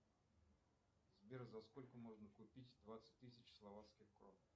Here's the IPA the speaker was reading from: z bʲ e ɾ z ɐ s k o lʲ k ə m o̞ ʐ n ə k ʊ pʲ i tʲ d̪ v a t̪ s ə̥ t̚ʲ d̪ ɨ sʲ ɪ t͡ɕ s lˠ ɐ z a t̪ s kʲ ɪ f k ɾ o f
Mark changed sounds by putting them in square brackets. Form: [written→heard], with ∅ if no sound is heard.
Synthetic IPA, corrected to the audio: z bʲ e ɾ z ɐ s k o lʲ k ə m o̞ ʐ n ə k ʊ pʲ i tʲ d̪ v a t̪ s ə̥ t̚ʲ [d̪→t̪] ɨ sʲ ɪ t͡ɕ s lˠ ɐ [z→v] a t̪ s kʲ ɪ [f→x] k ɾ o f